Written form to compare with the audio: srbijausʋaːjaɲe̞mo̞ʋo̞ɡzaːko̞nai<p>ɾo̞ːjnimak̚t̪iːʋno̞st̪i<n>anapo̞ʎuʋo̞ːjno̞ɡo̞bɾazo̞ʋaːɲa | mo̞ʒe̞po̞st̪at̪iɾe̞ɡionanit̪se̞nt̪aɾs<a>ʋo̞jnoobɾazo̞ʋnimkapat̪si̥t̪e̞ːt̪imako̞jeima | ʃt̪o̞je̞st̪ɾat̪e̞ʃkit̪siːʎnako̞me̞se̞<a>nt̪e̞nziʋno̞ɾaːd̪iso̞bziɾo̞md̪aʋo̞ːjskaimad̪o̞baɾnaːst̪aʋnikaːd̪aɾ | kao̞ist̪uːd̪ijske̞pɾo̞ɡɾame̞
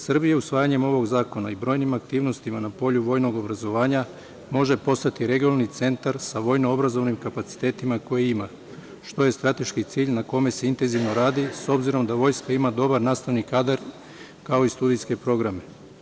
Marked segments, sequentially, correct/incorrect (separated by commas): incorrect, incorrect, correct, incorrect